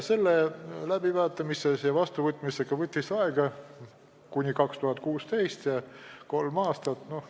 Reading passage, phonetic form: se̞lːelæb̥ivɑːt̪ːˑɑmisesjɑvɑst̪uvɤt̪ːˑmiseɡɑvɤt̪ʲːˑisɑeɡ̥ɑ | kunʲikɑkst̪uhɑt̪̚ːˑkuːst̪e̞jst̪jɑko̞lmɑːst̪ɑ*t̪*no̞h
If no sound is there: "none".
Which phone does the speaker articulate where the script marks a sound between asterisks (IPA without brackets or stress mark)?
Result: t̪